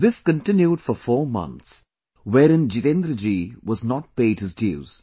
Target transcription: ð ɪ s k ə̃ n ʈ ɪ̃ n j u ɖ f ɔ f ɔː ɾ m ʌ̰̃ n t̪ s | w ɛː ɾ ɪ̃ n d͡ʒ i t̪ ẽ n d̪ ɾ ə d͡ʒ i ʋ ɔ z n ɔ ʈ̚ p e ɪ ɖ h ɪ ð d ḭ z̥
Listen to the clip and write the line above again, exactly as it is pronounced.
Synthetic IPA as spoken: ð ɪ s k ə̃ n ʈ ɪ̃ n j u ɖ f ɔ f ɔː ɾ m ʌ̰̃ n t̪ s | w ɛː ɾ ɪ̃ n d͡ʒ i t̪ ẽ n d̪ ɾ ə d͡ʒ i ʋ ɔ z n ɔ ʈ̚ p e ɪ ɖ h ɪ z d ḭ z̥